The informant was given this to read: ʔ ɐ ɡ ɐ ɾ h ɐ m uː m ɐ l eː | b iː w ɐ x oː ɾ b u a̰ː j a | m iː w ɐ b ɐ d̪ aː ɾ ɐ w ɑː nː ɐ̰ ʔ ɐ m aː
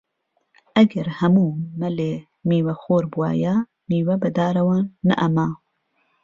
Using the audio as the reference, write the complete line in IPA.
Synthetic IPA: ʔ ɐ ɡ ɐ ɾ h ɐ m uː m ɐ l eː | m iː w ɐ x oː ɾ b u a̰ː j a | m iː w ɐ b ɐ d̪ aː ɾ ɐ w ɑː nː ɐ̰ ʔ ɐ m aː